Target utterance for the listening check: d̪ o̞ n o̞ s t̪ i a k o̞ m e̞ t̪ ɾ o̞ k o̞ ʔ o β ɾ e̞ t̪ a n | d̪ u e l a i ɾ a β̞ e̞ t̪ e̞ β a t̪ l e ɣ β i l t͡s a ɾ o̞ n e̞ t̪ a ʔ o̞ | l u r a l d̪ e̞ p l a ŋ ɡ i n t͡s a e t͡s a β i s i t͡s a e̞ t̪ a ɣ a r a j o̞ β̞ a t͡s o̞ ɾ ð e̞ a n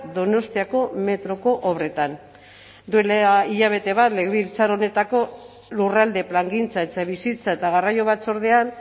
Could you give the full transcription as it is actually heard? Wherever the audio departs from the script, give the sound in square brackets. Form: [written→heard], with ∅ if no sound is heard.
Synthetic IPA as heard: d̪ o̞ n o̞ s t̪ i a k o̞ m e̞ t̪ ɾ o̞ k o̞ ʔ o β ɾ e̞ t̪ a n | d̪ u e l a i [ɾ→ʎ] a β̞ e̞ t̪ e̞ β a t̪ l e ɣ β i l t͡s a ɾ o̞ n e̞ t̪ a [ʔ→k] o̞ | l u r a l d̪ e̞ p l a ŋ ɡ i n t͡s a e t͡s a β i s i t͡s a e̞ t̪ a ɣ a r a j o̞ β̞ a t͡s o̞ ɾ ð e̞ a n